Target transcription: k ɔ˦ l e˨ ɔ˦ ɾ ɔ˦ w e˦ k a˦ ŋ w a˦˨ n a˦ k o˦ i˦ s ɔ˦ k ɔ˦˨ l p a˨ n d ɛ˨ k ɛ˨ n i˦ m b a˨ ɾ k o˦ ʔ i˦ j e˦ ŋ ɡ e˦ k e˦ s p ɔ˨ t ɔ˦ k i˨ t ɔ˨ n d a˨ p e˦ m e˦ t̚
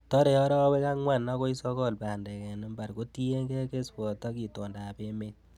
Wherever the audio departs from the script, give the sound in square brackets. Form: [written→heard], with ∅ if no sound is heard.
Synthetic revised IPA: [k→t] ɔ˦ [l→ɾ] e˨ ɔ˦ ɾ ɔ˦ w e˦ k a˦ ŋ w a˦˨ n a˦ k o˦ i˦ s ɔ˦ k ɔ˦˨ l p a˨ n d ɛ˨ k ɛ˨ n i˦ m b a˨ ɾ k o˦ [ʔ→t] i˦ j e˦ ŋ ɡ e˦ k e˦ s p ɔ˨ t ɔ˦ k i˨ t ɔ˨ n d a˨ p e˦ m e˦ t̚